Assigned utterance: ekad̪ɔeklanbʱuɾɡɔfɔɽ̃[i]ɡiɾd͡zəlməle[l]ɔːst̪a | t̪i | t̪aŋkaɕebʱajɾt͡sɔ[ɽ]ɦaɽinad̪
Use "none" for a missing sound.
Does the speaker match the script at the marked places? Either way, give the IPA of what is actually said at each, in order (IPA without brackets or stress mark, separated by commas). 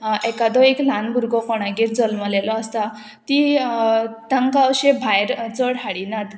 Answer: a, l, ɽ